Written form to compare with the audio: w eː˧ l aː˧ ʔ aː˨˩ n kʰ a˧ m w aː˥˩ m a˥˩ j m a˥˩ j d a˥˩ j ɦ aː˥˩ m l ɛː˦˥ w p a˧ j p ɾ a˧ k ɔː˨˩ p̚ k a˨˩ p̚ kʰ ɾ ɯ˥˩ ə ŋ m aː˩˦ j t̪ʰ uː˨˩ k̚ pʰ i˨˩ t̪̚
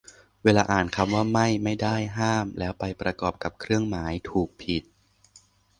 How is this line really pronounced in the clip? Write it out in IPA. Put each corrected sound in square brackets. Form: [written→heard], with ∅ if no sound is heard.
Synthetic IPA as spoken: w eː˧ l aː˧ ʔ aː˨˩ n kʰ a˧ m w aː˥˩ m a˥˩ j m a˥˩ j d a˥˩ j ɦ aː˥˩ m l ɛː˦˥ w p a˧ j p ɾ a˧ k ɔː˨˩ p̚ k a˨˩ p̚ kʰ ɾ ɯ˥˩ ə ŋ m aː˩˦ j t̪ʰ uː˨˩ k̚ pʰ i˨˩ t̪̚